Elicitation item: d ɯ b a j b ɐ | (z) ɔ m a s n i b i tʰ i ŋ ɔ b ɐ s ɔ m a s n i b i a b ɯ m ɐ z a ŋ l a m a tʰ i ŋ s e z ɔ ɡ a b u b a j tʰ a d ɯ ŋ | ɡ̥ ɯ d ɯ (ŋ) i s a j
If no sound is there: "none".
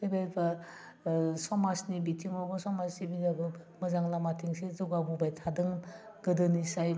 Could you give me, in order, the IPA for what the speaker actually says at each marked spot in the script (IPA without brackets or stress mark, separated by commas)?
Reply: s, n